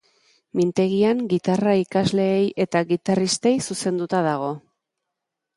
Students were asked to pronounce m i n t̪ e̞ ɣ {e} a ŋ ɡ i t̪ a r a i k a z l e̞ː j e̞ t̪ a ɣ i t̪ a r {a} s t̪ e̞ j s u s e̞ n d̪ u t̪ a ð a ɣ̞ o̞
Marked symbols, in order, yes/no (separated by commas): no, no